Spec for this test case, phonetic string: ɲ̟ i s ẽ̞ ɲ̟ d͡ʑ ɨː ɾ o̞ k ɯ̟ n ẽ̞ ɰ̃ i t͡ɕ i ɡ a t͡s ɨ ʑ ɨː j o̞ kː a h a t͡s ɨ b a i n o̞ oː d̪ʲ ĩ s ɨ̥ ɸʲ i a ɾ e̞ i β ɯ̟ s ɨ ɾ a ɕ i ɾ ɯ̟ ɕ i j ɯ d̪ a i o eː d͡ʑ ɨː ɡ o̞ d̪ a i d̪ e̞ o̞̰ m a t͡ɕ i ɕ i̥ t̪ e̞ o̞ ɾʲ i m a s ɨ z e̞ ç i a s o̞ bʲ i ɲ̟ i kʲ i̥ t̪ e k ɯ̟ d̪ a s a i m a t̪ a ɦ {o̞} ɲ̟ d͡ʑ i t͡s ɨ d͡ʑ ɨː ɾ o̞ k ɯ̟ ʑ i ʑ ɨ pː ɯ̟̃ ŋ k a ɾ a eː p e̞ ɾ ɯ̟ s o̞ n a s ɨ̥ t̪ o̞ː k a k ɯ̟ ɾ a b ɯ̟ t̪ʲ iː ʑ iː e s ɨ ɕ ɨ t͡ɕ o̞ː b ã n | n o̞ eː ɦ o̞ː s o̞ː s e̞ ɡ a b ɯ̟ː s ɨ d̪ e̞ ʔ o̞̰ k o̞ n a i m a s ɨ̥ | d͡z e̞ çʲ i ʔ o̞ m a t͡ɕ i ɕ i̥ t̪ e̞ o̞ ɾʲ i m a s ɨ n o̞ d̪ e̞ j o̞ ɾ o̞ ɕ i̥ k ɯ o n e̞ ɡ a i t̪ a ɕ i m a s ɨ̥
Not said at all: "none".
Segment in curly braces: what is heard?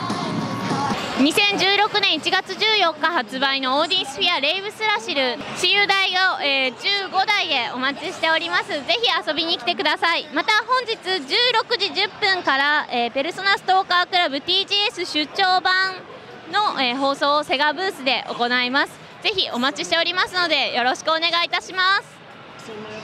õ̞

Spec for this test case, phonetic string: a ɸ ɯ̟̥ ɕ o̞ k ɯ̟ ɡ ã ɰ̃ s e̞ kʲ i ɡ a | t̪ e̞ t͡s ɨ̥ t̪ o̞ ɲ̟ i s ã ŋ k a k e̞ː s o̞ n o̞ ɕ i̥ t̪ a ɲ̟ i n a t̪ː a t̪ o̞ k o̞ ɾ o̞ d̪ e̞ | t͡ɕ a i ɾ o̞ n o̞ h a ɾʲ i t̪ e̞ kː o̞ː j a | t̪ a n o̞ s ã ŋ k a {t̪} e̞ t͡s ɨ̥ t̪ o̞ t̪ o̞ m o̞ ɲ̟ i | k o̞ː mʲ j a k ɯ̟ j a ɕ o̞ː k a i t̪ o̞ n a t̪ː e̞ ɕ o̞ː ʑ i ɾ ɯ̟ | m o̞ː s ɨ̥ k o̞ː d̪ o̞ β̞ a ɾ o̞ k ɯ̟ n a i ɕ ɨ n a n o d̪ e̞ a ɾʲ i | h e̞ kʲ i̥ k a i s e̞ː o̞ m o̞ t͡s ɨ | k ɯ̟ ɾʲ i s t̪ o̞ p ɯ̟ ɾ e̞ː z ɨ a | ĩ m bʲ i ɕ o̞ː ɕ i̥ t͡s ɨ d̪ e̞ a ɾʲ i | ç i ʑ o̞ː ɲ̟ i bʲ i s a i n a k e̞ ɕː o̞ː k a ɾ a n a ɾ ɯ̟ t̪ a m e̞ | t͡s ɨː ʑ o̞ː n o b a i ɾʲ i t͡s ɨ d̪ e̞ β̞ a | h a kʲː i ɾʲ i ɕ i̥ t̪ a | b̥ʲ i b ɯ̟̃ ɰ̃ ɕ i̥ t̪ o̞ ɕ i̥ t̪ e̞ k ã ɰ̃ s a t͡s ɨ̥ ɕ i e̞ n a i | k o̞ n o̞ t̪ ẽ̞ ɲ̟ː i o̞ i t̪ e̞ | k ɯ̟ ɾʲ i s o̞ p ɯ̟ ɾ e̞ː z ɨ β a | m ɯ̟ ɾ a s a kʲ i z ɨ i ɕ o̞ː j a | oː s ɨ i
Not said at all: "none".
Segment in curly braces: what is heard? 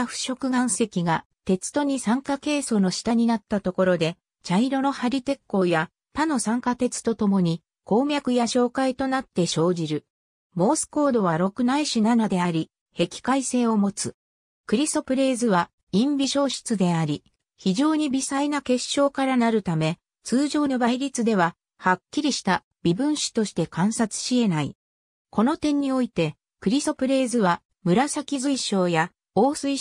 t̪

